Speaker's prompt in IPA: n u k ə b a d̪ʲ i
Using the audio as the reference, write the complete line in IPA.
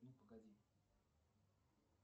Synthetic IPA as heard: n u p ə ɡ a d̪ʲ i